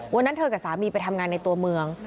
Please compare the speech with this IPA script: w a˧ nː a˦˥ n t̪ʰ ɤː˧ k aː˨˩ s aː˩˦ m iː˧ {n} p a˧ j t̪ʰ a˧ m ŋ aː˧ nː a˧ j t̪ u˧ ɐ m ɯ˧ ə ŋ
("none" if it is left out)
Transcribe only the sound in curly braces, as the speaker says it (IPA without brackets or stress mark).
none